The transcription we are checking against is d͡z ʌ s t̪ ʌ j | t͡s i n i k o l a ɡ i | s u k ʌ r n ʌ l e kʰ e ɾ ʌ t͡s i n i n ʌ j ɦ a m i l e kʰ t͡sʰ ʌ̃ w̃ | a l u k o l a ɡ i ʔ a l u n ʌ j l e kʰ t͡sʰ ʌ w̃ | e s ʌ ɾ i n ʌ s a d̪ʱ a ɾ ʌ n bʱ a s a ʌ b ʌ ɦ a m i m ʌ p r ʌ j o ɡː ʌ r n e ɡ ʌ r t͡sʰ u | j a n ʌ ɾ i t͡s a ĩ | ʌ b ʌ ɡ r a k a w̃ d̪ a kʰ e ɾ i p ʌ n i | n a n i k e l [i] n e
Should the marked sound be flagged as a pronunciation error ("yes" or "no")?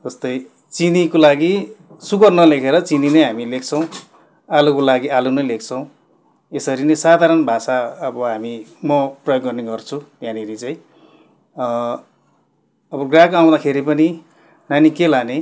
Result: yes